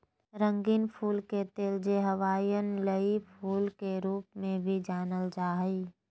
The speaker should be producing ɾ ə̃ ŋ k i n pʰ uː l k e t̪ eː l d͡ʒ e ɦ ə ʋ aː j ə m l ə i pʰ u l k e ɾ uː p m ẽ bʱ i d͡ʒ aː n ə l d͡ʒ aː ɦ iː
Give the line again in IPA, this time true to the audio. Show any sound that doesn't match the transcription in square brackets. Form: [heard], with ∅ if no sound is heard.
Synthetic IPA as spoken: ɾ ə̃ ŋ [ɡ] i n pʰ uː l k e t̪ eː l d͡ʒ e ɦ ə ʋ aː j ə [n] l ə i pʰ [uː] l k e ɾ uː p m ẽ bʱ i d͡ʒ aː n ə l d͡ʒ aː ɦ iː